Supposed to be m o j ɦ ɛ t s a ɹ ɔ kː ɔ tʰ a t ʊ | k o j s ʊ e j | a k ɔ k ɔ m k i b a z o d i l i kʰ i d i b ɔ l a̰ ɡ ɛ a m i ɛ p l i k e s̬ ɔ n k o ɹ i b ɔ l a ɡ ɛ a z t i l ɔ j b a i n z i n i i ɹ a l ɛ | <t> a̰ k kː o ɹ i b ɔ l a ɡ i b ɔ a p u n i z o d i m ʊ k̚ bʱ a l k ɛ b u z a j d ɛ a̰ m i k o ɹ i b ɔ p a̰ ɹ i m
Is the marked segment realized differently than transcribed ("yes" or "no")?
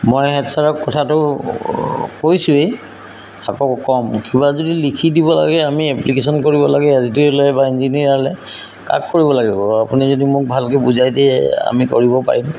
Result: yes